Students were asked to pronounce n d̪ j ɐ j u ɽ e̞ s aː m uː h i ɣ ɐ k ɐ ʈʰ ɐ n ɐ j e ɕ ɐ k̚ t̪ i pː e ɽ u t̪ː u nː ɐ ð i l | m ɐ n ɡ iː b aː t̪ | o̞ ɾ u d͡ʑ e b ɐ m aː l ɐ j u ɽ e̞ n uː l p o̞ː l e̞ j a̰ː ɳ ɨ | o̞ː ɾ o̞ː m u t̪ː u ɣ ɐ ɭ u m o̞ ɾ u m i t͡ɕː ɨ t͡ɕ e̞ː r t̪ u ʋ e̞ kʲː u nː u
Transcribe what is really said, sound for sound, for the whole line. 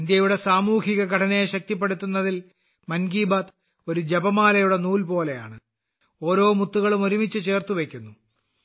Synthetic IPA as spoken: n d̪ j ɐ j u ɽ e̞ s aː m uː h i ɣ ɐ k ɐ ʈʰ ɐ n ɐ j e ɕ ɐ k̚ t̪ i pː e ɽ u t̪ː u nː ɐ ð i l | m ɐ n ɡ iː b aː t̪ | o̞ ɾ u d͡ʑ e b ɐ m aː l ɐ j u ɽ e̞ n uː l p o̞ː l e̞ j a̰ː ɳ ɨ | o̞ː ɾ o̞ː m u t̪ː u ɣ ɐ ɭ u m o̞ ɾ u m i t͡ɕː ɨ t͡ɕ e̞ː r t̪ u ʋ e̞ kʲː u nː u

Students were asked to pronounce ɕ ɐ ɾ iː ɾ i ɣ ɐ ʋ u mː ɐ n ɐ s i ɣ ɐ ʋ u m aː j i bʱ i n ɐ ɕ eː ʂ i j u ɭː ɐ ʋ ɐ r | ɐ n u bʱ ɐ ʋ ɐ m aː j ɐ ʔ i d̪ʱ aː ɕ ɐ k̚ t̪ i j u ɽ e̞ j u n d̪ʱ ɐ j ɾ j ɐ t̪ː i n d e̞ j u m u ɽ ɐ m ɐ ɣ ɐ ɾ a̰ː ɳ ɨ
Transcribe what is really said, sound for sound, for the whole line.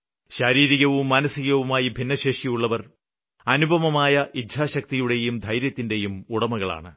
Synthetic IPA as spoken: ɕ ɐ ɾ iː ɾ i ɣ ɐ ʋ u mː ɐ n ɐ s i ɣ ɐ ʋ u m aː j i bʱ i nː ɐ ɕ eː ʂ i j u ɭː ɐ ʋ ɐ r | ɐ n u bʱ ɐ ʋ ɐ m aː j ɐ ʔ i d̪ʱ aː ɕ ɐ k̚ t̪ i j u ɽ e̞ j u m d̪ʱ ɐ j ɾ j ɐ t̪ː i n d e̞ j u m u ɽ ɐ m ɐ ɣ ɐ ɭ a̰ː ɳ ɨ

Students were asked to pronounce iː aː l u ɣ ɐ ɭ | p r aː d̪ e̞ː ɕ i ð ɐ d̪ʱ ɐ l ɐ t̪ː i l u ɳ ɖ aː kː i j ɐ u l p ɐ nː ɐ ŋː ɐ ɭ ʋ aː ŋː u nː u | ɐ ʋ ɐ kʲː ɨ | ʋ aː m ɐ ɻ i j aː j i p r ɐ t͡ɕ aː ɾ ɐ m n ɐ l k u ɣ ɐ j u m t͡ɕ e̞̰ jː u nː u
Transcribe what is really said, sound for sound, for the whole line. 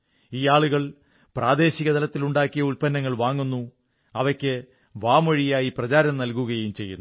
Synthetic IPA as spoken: iː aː ɭ u ɣ ɐ ɭ | p r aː d̪ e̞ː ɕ i ɣ ɐ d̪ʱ ɐ l ɐ t̪ː i l u ɳ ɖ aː kː i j ɐ u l p ɐ nː ɐ ŋː ɐ ɭ ʋ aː ŋː u nː u | ɐ ʋ ɐ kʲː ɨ | ʋ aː m ɐ ɻ i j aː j i p r ɐ t͡ɕ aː ɾ ɐ m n ɐ l k u ɣ ɐ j u m t͡ɕ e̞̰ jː u nː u

